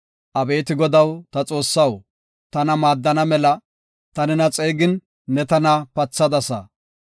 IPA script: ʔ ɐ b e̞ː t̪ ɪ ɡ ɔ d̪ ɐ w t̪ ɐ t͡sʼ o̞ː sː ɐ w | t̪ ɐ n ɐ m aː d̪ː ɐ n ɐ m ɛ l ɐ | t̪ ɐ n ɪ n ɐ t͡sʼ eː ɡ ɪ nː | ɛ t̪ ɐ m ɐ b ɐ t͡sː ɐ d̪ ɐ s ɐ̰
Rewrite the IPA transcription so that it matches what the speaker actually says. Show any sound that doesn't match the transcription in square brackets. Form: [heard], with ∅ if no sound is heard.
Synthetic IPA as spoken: ʔ ɐ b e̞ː t̪ ɪ ɡ ɔ d̪ ɐ w t̪ ɐ t͡sʼ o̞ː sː ɐ w | t̪ ɐ n ɐ m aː d̪ː ɐ n ɐ m ɛ l ɐ | t̪ ɐ n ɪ n ɐ t͡sʼ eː ɡ ɪ nː | ɛ t̪ ɐ [n] ɐ [p] ɐ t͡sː ɐ d̪ ɐ s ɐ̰